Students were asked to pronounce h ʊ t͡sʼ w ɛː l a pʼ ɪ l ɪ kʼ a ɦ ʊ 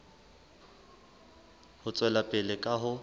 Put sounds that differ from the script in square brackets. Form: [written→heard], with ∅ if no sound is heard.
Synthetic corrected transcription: h ʊ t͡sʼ w [ɛː→ɛ] l a pʼ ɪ l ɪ kʼ a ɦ ʊ